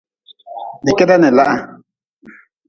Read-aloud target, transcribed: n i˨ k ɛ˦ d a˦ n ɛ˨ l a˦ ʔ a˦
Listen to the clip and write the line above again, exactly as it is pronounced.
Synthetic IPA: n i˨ k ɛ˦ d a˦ n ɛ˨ l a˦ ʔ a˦